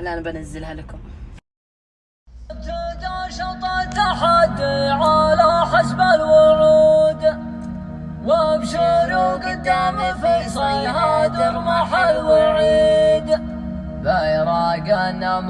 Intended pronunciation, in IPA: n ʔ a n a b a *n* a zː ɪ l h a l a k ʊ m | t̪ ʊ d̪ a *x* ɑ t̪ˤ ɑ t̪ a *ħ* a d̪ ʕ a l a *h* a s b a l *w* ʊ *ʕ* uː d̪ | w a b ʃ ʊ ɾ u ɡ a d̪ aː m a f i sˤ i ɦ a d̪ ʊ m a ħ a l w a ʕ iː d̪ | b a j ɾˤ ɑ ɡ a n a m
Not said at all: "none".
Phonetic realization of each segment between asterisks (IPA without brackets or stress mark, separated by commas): n, ʃ, ħ, ħ, w, ʕ